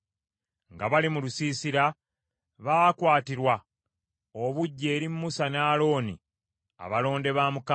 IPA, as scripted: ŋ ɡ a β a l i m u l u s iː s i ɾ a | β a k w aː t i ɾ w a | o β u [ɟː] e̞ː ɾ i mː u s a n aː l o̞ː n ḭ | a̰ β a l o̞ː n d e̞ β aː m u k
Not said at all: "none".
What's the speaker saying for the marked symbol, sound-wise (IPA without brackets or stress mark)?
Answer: ɟː